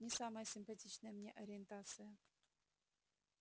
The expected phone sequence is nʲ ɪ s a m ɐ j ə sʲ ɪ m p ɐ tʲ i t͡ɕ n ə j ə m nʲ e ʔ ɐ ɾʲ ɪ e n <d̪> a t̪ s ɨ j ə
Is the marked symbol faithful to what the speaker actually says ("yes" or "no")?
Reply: no